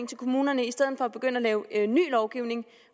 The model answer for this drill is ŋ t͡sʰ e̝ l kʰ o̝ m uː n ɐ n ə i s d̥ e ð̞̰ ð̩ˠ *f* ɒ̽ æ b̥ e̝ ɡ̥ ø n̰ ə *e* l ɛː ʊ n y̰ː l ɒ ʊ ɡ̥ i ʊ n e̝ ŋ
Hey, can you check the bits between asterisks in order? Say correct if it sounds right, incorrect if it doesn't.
correct, incorrect: æ

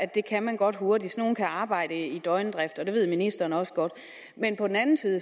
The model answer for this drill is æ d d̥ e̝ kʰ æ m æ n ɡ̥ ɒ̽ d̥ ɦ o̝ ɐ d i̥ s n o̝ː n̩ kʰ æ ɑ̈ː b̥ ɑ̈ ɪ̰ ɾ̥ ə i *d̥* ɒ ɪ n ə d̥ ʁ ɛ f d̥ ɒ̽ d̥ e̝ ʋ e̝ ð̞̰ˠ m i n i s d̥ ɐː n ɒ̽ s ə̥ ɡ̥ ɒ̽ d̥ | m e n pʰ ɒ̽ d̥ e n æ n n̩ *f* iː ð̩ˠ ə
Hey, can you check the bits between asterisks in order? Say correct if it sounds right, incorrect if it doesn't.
correct, incorrect: s

